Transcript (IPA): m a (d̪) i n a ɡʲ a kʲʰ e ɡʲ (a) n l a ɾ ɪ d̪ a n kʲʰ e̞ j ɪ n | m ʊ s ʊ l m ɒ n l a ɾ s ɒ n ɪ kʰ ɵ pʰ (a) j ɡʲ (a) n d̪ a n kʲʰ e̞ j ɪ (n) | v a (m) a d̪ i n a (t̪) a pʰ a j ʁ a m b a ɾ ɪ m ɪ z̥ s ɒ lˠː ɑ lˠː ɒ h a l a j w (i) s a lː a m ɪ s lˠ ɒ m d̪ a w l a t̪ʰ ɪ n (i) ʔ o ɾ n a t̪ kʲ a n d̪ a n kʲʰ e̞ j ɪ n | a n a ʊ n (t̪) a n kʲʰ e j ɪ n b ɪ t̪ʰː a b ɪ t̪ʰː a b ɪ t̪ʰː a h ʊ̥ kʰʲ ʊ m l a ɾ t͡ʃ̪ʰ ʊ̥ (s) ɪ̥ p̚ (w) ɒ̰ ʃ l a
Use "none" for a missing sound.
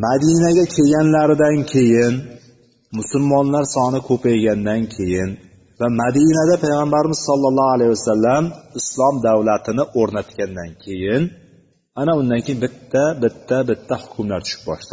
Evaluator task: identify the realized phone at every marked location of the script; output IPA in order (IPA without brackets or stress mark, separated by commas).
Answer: d̪, a, a, a, n, m, d̪, a, ɪ, d̪, ʃ, b